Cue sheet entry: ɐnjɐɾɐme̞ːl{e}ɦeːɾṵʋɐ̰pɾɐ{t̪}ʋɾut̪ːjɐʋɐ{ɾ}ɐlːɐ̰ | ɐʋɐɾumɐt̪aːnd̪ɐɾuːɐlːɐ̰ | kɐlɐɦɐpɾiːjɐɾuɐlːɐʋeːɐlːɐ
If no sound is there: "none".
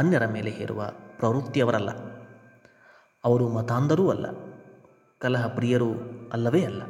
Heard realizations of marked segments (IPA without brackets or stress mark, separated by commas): e, none, ɾ